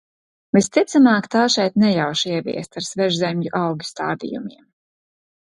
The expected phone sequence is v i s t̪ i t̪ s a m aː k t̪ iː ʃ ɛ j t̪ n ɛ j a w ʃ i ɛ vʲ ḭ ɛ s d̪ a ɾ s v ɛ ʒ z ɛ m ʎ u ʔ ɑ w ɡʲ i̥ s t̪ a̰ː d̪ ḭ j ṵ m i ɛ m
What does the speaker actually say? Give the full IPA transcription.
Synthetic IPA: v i s t̪ i t̪ s a m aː k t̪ aː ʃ ɛ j t̪ n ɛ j a w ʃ i ɛ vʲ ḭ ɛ s t̪ a ɾ s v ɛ ʒ z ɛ m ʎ u ʔ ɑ w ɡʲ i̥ s t̪ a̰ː d̪ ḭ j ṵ m i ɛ m